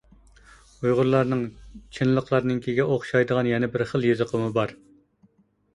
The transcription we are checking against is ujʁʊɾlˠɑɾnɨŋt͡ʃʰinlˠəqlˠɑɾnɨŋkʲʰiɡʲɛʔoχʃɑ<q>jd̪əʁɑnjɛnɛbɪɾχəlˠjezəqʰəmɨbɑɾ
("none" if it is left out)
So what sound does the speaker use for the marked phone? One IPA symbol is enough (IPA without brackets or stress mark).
none